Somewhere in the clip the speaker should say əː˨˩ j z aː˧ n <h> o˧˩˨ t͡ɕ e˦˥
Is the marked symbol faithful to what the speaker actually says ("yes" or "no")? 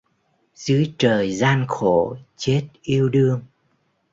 no